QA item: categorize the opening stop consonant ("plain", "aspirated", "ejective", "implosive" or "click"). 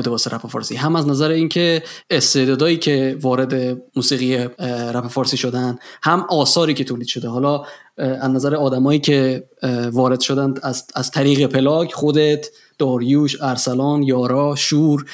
plain